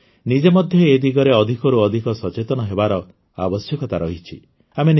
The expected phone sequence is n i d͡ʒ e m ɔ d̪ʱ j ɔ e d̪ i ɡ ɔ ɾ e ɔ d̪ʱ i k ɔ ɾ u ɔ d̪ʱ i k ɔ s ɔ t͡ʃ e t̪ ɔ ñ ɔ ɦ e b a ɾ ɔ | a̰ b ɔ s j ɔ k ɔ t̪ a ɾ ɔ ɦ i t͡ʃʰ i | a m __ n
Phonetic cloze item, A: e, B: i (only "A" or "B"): A